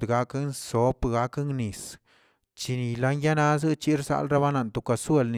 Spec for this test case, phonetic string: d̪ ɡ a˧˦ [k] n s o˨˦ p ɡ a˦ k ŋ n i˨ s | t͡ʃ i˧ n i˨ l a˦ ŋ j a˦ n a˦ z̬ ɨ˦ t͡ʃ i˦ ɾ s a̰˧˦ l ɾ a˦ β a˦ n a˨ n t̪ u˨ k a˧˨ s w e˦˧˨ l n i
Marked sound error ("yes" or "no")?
no